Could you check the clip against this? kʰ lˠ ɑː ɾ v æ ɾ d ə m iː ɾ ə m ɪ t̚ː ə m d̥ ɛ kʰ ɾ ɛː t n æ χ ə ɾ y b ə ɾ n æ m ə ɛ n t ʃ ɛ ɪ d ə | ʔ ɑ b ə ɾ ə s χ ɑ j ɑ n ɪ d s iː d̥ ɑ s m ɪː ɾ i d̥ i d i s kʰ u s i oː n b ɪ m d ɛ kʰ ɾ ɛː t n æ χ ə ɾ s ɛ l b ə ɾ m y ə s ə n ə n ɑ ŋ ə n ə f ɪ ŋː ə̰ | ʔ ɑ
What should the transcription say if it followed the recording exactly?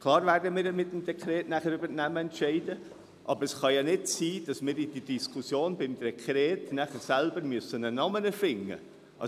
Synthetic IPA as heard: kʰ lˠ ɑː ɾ v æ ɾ d ə m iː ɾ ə m ɪ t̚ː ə m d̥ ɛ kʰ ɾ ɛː t n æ χ ə ɾ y b ə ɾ n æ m ə ɛ n t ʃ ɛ ɪ d ə | ʔ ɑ b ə ɾ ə s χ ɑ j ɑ n ɪ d s iː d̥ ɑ s m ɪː ɾ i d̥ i d i s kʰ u s j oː n b ɪ m d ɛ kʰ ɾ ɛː t n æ χ ə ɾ s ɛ l b ə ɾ m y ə s ə n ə n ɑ m ə n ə f ɪ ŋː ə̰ | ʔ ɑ